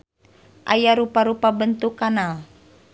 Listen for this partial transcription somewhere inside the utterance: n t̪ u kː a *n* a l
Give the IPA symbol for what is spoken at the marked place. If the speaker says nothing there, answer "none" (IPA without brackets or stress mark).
n